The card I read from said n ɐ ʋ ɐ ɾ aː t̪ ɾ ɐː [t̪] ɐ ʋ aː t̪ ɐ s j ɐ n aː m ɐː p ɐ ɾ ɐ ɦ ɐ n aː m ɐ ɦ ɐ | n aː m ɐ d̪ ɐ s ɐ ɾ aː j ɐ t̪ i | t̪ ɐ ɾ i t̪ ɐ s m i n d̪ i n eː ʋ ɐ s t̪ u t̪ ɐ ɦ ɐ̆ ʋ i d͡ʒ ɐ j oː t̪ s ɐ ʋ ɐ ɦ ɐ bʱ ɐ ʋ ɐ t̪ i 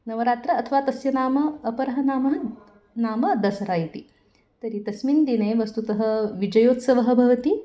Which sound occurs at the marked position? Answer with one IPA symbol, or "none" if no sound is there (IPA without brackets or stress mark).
t̪ʰ